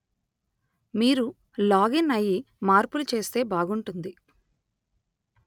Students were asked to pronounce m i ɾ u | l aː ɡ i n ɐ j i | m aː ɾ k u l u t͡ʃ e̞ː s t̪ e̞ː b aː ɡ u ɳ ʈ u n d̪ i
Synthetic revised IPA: m iː ɾ u | l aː ɡ i n ɐ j i | m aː ɾ p u l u t͡ʃ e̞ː s t̪ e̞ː b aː ɡ u ɳ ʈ u n d̪ i